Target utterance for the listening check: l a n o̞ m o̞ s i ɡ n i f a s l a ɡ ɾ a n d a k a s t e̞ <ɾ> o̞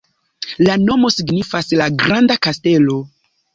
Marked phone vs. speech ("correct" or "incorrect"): incorrect